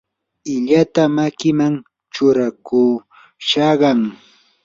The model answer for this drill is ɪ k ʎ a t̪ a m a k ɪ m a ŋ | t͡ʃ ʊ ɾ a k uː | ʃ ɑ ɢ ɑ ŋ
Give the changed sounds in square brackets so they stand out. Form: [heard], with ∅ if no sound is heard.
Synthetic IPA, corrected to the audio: ɪ [∅] ʎ a t̪ a m a k ɪ m a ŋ | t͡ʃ ʊ ɾ a k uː | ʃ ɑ ɢ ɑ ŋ